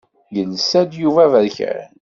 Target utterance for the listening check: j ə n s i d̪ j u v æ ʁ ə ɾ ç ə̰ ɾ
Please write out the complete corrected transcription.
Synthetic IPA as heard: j ə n s æ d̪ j u v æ v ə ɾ ç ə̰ ɾ